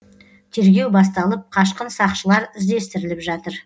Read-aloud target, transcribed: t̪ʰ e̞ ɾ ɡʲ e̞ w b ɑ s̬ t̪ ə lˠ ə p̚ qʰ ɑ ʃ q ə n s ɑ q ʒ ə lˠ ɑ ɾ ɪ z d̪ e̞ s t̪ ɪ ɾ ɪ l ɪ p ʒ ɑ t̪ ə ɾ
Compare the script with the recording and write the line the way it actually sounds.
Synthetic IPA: t̪ʰ e̞ ɾ ɡʲ e̞ w b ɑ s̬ t̪ ɑ lˠ ə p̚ qʰ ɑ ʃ q ə n s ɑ q ʃ ə lˠ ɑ ɾ ɪ z d̪ e̞ s t̪ ɪ ɾ ɪ l ɪ p ʒ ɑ t̪ ə ɾ